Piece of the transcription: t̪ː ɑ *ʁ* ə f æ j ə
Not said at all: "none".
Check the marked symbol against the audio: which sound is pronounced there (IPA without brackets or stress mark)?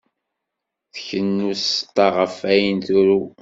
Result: ʁ